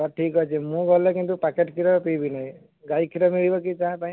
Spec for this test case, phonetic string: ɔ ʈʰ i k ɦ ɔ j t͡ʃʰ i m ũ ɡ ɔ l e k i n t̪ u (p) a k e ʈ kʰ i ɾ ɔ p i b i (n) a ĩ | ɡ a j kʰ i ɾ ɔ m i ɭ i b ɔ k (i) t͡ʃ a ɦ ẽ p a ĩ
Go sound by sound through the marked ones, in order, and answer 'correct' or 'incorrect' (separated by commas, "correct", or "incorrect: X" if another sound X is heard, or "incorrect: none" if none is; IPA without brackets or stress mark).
correct, correct, correct